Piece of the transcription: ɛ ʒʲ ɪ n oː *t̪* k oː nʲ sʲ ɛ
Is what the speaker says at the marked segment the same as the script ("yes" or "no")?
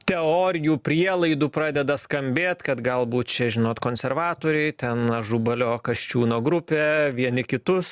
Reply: yes